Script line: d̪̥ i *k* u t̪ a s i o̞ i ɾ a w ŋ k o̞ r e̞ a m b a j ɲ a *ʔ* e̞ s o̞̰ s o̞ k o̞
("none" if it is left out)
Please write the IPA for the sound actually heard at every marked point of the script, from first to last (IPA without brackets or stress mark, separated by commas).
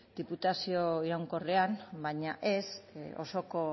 p, ʔ